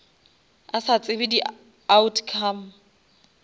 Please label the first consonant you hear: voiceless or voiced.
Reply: voiceless